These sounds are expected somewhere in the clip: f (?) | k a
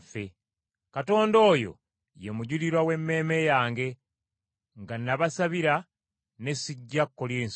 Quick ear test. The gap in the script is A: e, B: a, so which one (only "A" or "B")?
A